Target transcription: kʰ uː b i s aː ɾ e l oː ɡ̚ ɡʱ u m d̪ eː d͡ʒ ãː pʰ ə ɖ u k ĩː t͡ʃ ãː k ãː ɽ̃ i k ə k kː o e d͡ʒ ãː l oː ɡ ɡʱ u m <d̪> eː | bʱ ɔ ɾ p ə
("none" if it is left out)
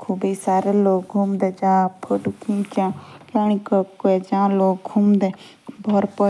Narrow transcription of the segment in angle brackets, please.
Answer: d̪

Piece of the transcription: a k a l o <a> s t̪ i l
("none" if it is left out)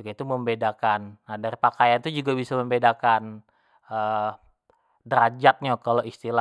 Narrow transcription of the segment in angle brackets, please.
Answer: i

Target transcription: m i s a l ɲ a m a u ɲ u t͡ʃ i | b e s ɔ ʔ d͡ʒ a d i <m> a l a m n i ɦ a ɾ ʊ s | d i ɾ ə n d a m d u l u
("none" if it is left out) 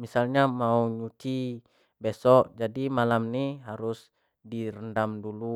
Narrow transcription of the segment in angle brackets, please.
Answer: m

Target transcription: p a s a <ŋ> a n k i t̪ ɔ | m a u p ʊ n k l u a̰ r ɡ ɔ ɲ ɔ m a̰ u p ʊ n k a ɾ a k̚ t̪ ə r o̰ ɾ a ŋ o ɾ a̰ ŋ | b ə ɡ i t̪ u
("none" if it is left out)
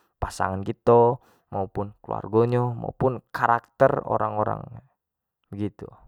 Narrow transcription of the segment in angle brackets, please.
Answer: ŋ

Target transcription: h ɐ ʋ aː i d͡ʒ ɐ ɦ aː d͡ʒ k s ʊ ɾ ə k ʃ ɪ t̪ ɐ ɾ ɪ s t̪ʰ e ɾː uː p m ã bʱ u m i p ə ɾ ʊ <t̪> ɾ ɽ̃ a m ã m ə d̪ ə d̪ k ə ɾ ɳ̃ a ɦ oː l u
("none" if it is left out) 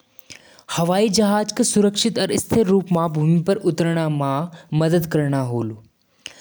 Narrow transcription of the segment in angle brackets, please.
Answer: t̪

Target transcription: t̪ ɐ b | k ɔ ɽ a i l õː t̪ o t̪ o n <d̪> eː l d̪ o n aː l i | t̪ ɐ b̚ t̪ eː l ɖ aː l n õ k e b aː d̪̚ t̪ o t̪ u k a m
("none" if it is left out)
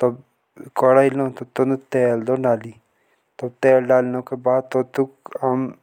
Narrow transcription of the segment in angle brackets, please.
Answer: t̪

